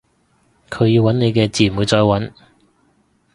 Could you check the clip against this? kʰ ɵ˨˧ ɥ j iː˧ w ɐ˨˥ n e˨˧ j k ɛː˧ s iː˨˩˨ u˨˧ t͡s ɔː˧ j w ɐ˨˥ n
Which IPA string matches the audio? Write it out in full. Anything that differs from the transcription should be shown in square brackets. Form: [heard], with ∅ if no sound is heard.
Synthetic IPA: kʰ ɵ˨˧ ɥ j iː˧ w ɐ˨˥ n e˨˧ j k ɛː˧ [t͡s] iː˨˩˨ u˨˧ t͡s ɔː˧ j w ɐ˨˥ n